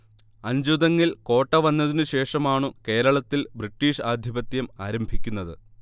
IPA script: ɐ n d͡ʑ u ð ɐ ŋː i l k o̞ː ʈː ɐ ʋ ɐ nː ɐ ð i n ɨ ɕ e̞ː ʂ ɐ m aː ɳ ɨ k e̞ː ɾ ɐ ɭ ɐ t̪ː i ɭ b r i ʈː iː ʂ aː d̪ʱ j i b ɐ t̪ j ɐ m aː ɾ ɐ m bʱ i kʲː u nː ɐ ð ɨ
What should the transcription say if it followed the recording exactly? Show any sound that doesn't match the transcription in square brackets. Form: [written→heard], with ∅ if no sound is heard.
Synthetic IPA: ɐ [n→ɲ] d͡ʑ u ð ɐ ŋː i l k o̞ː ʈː ɐ ʋ ɐ nː ɐ ð i n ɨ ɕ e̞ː ʂ ɐ m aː ɳ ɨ k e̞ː ɾ ɐ ɭ ɐ t̪ː i [ɭ→l] b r i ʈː iː ʂ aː d̪ʱ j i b ɐ t̪ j ɐ m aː ɾ ɐ m bʱ i kʲː u nː ɐ ð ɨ

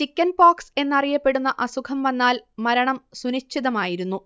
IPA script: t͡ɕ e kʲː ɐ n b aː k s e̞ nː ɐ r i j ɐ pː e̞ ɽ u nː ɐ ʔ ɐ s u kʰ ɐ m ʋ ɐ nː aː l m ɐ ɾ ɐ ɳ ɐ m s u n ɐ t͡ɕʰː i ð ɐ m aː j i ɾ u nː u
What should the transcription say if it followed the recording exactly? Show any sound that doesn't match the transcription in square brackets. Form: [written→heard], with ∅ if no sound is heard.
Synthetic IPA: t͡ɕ [e→i] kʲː ɐ n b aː k s e̞ nː ɐ r i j ɐ pː e̞ ɽ u nː ɐ ʔ ɐ s u kʰ ɐ m ʋ ɐ nː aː l m ɐ ɾ ɐ ɳ ɐ m s u n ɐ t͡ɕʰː i ð ɐ m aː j i ɾ u nː u

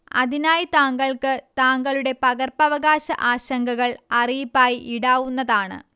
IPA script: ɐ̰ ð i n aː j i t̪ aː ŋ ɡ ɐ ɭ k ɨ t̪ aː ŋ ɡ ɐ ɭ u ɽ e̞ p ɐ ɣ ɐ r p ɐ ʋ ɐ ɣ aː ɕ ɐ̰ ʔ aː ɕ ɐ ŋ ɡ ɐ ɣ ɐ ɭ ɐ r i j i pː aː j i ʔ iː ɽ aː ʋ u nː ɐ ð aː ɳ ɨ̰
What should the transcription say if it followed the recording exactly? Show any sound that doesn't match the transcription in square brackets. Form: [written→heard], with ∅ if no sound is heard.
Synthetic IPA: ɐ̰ ð i n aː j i t̪ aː ŋ ɡ ɐ ɭ k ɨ t̪ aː ŋ ɡ ɐ ɭ u ɽ e̞ p ɐ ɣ ɐ r p ɐ ʋ ɐ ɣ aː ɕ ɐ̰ ʔ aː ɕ ɐ ŋ ɡ ɐ ɣ ɐ ɭ ɐ r i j i pː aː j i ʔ [iː→i] ɽ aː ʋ u nː ɐ ð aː ɳ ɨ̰

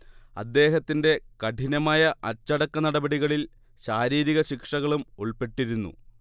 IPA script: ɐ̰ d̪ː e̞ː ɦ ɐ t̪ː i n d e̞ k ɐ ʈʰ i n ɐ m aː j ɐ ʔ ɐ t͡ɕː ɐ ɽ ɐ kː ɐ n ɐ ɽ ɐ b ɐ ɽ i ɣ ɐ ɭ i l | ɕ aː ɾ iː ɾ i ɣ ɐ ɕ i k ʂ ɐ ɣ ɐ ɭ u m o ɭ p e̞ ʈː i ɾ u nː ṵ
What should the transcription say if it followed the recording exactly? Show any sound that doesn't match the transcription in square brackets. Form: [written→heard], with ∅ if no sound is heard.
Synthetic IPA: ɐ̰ d̪ː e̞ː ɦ ɐ t̪ː i n d e̞ k ɐ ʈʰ i n ɐ m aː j ɐ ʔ ɐ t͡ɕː ɐ ɽ ɐ kː ɐ n ɐ ɽ ɐ b ɐ ɽ i ɣ ɐ ɭ i l | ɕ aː ɾ iː ɾ i ɣ ɐ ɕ i k ʂ ɐ ɣ ɐ ɭ u m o ɭ p e̞ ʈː i ɾ u nː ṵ

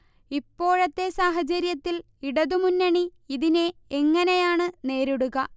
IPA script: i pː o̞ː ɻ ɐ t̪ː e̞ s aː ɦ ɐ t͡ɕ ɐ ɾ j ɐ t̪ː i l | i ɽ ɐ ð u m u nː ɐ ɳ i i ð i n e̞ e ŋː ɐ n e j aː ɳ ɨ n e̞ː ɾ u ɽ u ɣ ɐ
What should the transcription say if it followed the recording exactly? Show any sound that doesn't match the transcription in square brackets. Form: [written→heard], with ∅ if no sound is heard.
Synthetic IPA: i pː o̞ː ɻ ɐ t̪ː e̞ s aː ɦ ɐ t͡ɕ ɐ ɾ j ɐ t̪ː i l | i ɽ ɐ ð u m u nː ɐ ɳ i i ð i n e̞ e ŋː ɐ n e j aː ɳ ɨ n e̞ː ɾ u ɽ u ɣ ɐ

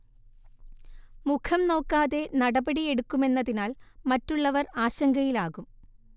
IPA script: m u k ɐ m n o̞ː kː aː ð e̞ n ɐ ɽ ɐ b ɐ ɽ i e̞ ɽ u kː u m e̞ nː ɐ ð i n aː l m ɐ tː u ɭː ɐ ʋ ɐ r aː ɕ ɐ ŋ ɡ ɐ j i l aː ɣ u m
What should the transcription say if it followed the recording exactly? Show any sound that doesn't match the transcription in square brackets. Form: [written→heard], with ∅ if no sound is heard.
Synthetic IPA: m u [k→kʰ] ɐ m n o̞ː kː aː ð e̞ n ɐ ɽ ɐ b ɐ ɽ i e̞ ɽ u kː u m e̞ nː ɐ ð i n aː l m ɐ tː u ɭː ɐ ʋ ɐ r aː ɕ ɐ ŋ ɡ ɐ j i l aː ɣ u m

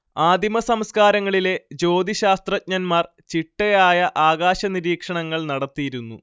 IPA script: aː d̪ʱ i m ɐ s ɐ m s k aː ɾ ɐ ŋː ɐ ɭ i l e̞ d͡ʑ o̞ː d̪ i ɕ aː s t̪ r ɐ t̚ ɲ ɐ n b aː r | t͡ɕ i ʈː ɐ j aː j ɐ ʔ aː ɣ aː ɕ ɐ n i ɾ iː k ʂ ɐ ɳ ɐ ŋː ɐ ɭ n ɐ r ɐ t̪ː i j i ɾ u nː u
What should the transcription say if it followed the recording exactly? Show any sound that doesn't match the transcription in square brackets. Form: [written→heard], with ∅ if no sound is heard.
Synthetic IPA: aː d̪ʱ i m ɐ s ɐ m s k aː ɾ ɐ ŋː ɐ ɭ i l e̞ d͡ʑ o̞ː d̪ i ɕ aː s t̪ r ɐ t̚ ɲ ɐ n [b→m] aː r | t͡ɕ i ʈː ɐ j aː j ɐ ʔ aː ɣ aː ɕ ɐ n i ɾ iː k ʂ ɐ ɳ ɐ ŋː ɐ ɭ n ɐ [r→ɽ] ɐ t̪ː i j i ɾ u nː u

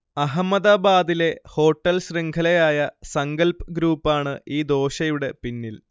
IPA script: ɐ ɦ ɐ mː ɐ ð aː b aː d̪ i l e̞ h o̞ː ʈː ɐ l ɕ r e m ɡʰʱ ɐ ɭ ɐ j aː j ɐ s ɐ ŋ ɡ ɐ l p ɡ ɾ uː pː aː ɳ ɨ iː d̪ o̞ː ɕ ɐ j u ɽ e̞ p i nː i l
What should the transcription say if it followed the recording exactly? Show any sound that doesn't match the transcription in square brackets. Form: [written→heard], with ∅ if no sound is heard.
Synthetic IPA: ɐ ɦ ɐ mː ɐ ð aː b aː d̪ i l e̞ h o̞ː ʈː ɐ l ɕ r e [m→ŋ] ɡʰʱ ɐ [ɭ→l] ɐ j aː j ɐ s ɐ ŋ ɡ ɐ l p ɡ ɾ uː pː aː ɳ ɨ iː d̪ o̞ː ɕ ɐ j u ɽ e̞ p i nː i l

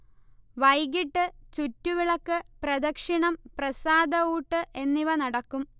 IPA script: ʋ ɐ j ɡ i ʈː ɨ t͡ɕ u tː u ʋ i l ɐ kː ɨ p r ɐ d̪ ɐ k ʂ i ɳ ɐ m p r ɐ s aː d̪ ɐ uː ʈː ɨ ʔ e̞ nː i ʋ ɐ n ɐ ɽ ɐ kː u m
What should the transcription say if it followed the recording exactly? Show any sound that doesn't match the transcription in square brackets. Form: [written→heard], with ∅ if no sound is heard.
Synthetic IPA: ʋ ɐ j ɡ i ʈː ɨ t͡ɕ u tː u ʋ i [l→ɭ] ɐ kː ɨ p r ɐ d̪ ɐ k ʂ i ɳ ɐ m p r ɐ s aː d̪ ɐ uː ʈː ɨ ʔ e̞ nː i ʋ ɐ n ɐ ɽ ɐ kː u m

